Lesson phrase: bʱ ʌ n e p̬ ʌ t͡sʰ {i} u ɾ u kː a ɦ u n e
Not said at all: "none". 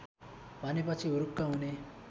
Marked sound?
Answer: i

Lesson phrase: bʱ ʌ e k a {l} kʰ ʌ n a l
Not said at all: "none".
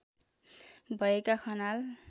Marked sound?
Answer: none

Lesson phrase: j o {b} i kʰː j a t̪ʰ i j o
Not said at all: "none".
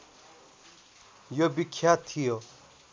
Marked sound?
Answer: b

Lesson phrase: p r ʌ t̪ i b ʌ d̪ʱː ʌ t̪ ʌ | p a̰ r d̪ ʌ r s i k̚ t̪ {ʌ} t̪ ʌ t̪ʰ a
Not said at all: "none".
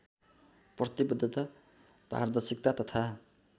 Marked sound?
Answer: a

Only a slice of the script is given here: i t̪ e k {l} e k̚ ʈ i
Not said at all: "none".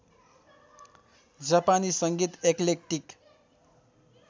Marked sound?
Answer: l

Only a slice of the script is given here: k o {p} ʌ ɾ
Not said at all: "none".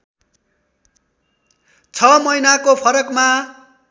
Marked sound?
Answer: pʰ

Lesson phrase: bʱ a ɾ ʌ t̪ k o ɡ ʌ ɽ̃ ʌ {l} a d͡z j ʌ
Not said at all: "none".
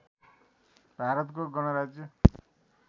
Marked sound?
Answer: ɾ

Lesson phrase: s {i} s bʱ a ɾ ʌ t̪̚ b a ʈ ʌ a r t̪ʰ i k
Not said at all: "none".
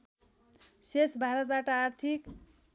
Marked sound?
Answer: e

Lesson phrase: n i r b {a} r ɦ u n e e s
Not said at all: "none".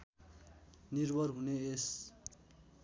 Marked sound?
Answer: ʌ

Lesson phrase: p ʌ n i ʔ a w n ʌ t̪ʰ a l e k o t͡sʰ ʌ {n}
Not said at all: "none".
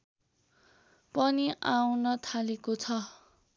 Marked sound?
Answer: none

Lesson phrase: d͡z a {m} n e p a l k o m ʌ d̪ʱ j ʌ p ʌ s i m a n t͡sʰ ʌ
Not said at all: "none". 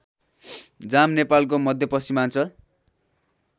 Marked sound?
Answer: m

